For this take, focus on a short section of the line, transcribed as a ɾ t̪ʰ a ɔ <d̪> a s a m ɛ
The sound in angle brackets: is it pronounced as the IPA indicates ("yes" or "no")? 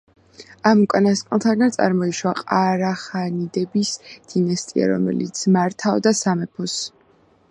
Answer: yes